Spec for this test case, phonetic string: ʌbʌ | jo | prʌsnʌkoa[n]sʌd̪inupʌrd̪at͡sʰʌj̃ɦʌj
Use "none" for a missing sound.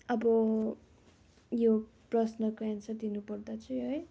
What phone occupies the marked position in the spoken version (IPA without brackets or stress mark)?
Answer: n